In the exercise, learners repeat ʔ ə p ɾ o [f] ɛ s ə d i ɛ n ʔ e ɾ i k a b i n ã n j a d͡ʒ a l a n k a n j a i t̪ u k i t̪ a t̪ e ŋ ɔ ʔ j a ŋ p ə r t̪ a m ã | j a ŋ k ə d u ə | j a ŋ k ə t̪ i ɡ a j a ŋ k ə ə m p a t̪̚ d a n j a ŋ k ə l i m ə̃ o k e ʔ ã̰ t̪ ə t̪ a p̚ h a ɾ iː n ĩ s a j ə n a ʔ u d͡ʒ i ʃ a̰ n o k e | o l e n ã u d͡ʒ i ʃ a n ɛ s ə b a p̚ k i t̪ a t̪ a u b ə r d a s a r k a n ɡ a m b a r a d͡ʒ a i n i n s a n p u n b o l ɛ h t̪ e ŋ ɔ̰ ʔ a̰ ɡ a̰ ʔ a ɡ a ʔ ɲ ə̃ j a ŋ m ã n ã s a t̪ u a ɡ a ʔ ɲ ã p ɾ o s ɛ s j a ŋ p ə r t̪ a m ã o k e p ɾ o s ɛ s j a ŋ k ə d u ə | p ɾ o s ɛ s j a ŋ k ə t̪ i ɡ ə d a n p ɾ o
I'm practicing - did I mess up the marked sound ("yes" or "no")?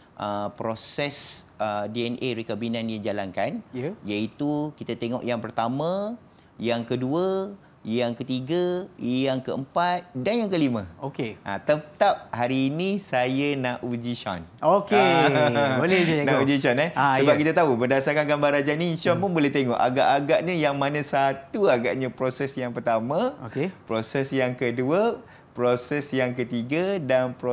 yes